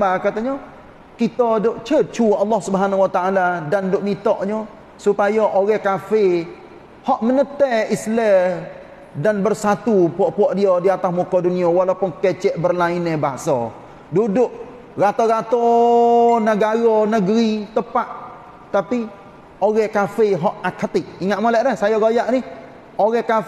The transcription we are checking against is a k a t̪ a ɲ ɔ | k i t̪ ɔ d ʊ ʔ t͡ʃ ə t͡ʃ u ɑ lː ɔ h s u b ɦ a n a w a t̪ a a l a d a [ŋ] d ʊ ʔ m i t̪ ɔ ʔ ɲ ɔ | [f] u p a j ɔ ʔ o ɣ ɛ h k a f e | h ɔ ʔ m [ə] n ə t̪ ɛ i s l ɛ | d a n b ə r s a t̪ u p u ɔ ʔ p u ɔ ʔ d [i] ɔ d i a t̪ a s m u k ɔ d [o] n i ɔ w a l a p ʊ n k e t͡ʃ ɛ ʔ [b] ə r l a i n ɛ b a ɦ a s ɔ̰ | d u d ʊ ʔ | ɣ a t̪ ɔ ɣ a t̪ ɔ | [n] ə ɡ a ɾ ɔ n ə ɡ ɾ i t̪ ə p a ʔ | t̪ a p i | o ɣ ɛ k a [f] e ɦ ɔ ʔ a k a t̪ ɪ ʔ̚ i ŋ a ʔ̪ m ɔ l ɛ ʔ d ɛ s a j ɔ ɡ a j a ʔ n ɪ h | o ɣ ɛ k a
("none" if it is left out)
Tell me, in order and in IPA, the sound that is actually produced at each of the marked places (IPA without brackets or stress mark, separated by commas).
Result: n, s, ə, i, u, b, n, f